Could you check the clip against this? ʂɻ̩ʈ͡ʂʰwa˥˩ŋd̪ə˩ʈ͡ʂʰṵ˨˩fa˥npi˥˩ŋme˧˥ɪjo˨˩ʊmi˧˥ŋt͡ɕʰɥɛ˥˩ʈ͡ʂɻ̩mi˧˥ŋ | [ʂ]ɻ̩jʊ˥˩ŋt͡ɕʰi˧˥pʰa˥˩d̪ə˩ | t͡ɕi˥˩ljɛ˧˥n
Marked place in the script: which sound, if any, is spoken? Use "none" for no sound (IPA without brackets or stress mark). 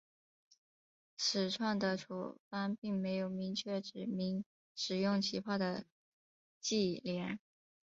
ʂ